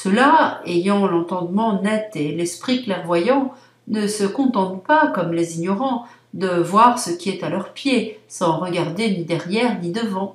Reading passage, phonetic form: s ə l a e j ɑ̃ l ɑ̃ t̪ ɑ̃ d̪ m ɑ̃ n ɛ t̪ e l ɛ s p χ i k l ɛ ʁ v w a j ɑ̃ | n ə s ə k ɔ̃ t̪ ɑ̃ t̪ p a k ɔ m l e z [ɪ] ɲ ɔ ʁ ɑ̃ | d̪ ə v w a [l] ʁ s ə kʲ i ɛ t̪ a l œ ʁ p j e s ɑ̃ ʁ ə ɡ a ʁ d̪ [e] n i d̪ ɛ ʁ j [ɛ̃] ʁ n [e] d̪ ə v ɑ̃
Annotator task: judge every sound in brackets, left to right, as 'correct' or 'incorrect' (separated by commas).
incorrect, incorrect, correct, incorrect, incorrect